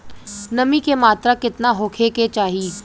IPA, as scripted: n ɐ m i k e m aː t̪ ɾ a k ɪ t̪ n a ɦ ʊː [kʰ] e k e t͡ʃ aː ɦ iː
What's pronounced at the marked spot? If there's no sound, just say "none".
kʰ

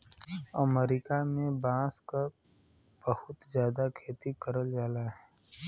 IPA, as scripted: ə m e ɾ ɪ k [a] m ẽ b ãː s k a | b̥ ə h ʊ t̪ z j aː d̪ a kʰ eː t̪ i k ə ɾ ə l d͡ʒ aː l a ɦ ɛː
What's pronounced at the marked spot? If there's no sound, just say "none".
a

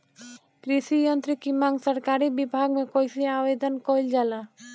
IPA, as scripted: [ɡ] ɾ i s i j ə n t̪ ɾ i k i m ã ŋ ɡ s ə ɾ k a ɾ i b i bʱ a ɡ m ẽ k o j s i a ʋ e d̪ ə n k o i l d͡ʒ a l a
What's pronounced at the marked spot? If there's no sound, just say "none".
k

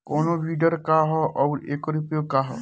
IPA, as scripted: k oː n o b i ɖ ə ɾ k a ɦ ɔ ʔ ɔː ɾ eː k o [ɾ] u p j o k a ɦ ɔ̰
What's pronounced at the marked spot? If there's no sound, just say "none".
ɾ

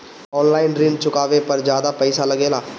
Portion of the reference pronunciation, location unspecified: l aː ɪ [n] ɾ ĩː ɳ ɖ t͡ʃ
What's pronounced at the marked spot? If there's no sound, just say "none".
n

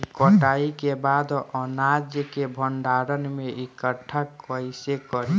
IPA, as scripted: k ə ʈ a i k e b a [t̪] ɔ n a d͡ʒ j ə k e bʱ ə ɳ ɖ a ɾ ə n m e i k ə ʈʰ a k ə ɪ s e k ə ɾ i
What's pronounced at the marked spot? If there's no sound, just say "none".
d̪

